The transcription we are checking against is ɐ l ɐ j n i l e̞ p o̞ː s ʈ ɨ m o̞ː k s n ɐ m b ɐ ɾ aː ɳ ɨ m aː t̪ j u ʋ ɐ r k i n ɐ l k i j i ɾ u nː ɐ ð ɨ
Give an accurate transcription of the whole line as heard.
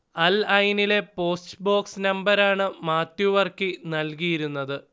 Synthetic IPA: ɐ l ɐ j n i l e̞ p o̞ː s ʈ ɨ b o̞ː k s n ɐ m b ɐ ɾ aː ɳ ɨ m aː t̪ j u ʋ ɐ r k i n ɐ l k i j i ɾ u nː ɐ ð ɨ